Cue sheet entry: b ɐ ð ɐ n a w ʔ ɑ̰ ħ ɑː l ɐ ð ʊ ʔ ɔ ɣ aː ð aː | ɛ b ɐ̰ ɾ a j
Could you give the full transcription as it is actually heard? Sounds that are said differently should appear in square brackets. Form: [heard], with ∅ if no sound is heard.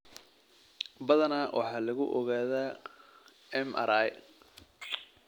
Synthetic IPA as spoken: b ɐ ð ɐ n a w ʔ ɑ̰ ħ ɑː l ɐ [ɣ] ʊ ʔ ɔ ɣ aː ð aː | ɛ [m] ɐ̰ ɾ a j